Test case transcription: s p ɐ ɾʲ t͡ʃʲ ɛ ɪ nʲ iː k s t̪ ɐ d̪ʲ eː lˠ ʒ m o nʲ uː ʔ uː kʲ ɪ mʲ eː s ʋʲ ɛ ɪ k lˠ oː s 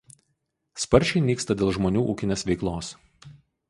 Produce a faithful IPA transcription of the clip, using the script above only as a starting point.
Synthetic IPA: s p ɐ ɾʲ t͡ʃʲ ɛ ɪ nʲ iː k s t̪ ɐ d̪ʲ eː lˠ ʒ m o nʲ uː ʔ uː kʲ ɪ nʲ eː s ʋʲ ɛ ɪ k lˠ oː s